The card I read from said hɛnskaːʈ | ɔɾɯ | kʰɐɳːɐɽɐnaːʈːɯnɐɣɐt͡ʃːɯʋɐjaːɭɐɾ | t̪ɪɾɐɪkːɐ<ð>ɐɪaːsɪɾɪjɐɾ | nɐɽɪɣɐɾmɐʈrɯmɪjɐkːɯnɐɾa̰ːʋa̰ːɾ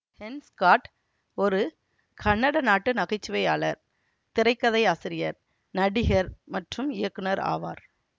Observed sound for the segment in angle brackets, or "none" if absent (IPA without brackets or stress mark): ð